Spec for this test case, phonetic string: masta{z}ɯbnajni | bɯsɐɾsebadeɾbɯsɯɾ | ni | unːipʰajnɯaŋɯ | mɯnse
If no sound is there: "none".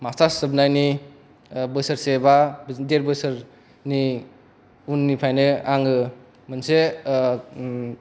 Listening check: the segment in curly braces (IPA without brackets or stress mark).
s